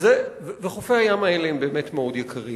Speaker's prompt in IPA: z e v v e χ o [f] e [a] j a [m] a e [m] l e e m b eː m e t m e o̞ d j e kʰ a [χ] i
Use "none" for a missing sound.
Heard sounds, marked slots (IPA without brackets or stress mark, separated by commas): f, a, m, none, ʁ